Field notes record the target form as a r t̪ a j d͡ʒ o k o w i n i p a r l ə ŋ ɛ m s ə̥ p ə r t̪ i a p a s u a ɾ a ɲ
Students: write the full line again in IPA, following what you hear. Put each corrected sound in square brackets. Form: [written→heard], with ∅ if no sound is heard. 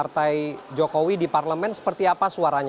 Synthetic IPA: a r t̪ a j d͡ʒ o k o w i [n→d] i p a r l ə [ŋ→m] ɛ [m→n] s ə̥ p ə r t̪ i a p a s u a ɾ a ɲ